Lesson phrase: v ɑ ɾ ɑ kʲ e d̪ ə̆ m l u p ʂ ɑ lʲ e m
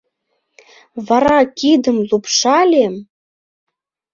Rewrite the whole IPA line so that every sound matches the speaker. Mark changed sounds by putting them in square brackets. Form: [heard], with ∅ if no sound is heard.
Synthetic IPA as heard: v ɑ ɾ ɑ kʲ [i] d̪ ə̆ m l u p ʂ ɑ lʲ e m

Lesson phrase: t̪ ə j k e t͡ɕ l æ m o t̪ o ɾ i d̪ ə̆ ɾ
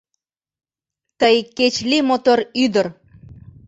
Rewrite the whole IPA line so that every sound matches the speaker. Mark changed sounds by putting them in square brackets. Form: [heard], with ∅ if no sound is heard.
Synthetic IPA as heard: t̪ ə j k e t͡ɕ l [i] m o t̪ o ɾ [y] d̪ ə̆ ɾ

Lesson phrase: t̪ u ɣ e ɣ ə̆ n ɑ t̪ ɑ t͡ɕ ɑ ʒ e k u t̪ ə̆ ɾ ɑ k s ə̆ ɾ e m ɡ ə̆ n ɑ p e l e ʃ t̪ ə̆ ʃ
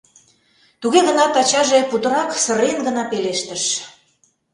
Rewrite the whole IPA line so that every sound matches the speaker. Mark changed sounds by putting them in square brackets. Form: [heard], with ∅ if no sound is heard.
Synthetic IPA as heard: t̪ u ɣ e ɣ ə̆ n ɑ t̪ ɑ t͡ɕ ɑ ʒ e [p] u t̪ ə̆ ɾ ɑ k s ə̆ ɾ e [n] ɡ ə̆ n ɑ p e l e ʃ t̪ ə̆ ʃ

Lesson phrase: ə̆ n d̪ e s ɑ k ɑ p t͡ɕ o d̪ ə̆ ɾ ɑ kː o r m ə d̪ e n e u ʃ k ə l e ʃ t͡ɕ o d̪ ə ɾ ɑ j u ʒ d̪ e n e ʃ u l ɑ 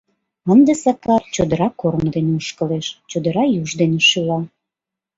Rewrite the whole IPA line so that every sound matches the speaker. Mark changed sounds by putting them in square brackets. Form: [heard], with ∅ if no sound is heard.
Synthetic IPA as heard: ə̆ n d̪ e s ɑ k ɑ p t͡ɕ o d̪ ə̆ ɾ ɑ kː o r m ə d̪ e n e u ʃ k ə l e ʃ t͡ɕ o d̪ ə ɾ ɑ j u ʒ d̪ e n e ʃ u l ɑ

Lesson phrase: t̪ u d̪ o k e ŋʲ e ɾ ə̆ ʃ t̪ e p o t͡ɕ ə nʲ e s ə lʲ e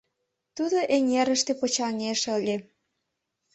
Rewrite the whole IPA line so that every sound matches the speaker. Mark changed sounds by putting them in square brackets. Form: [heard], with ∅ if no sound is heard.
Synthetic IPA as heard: t̪ u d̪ o [ʔ] e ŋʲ e ɾ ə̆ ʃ t̪ e p o t͡ɕ [ɑ] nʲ e [ʃ] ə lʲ e

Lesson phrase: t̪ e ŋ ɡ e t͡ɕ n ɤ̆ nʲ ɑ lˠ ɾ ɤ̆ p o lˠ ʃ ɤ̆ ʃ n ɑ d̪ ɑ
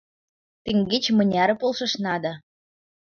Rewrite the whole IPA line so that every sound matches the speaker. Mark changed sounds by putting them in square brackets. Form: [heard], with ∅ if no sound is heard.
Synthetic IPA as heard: t̪ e ŋ ɡ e t͡ɕ [m] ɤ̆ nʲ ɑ [∅] ɾ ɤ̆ p o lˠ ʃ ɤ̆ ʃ n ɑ d̪ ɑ

